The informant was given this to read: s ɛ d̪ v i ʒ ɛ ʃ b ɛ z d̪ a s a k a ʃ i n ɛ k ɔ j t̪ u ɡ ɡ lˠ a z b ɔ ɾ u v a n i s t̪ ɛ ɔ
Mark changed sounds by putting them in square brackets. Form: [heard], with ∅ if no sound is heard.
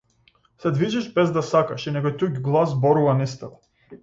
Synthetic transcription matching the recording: s ɛ d̪ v i ʒ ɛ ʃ b ɛ z d̪ a s a k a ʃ i n ɛ k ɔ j t̪ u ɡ ɡ lˠ a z b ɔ ɾ u v a n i s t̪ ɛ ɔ

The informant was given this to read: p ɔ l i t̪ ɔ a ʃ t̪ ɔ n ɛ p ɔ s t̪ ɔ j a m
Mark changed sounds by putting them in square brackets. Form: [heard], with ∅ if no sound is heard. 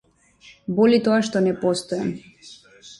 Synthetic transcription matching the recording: [b] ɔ l i t̪ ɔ a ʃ t̪ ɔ n ɛ p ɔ s t̪ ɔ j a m

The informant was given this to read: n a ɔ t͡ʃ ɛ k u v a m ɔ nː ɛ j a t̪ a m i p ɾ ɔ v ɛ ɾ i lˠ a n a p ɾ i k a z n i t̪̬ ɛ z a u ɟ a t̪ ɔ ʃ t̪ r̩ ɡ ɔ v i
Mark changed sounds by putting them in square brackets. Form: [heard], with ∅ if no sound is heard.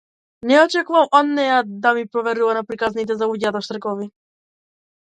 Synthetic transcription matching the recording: n [ɛ] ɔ t͡ʃ ɛ k u v a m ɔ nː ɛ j a [d̪] a m i p ɾ ɔ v ɛ ɾ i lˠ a n a p ɾ i k a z n i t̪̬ ɛ z a u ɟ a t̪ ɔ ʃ t̪ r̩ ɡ ɔ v i

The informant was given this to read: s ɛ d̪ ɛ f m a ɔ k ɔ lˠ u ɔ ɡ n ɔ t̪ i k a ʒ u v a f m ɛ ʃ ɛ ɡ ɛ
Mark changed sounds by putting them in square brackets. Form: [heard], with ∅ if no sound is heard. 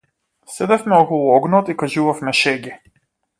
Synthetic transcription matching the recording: s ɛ d̪ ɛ f m [ɛ] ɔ k ɔ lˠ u ɔ ɡ n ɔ t̪ i k a ʒ u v a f m ɛ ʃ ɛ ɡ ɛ

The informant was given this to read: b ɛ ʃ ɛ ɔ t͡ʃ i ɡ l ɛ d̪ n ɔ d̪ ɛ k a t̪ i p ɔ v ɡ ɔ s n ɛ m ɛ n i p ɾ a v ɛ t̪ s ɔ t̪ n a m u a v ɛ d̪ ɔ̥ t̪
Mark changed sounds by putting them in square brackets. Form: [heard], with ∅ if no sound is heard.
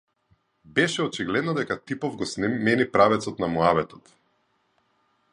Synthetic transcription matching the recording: b ɛ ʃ ɛ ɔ t͡ʃ i ɡ l ɛ d̪ n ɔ d̪ ɛ k a t̪ i p ɔ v ɡ ɔ s n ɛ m ɛ n i p ɾ a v ɛ t̪ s ɔ t̪ n a m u a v ɛ [t̪] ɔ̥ t̪

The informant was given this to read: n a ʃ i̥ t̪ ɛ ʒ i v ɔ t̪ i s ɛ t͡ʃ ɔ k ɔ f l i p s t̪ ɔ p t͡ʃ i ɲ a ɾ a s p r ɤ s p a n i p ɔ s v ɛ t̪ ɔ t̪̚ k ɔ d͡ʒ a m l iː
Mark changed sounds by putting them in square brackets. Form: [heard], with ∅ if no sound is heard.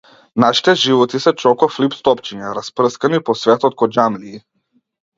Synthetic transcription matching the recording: n a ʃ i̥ t̪ ɛ ʒ i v ɔ t̪ i s ɛ t͡ʃ ɔ k ɔ f l i p s t̪ ɔ p t͡ʃ i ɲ a ɾ a s p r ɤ s [k] a n i p ɔ s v ɛ t̪ ɔ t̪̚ k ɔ d͡ʒ a m l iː

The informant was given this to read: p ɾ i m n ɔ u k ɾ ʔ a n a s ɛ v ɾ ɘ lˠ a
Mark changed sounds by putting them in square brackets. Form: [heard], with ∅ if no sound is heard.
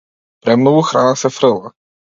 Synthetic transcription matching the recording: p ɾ [ɛ] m n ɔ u [x] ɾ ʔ a n a s ɛ [f] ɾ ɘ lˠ a

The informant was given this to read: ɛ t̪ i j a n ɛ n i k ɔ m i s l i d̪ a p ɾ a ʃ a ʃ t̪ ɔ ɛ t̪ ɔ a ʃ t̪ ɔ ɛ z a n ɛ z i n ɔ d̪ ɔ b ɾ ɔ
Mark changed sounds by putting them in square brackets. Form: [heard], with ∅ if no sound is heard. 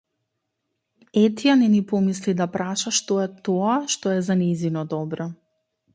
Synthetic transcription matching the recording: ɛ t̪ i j a n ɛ n i [p] ɔ m i s l i d̪ a p ɾ a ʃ a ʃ t̪ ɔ ɛ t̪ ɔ a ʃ t̪ ɔ ɛ z a n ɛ z i n ɔ d̪ ɔ b ɾ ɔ

